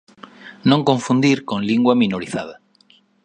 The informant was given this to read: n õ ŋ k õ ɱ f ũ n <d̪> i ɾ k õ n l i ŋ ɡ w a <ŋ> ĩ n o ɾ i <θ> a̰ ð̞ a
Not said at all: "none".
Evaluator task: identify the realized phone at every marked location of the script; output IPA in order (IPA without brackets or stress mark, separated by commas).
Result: d̪, m, θ